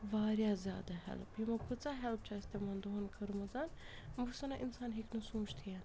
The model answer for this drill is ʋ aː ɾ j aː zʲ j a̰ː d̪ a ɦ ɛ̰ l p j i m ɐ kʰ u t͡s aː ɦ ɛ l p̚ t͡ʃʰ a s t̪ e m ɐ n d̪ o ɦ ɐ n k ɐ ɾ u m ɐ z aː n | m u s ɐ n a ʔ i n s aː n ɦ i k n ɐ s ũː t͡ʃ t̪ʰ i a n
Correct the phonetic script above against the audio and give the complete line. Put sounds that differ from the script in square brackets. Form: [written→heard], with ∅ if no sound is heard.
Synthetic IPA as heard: ʋ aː ɾ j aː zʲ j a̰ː d̪ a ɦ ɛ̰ l p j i m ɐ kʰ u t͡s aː ɦ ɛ l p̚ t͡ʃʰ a s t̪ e m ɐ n d̪ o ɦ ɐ n k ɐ ɾ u m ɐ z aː n | m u s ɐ n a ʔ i n s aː n ɦ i k n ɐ s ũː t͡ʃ t̪ʰ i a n